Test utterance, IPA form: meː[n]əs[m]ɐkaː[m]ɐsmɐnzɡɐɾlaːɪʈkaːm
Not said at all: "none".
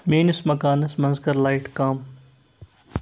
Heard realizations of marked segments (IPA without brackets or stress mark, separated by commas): n, m, n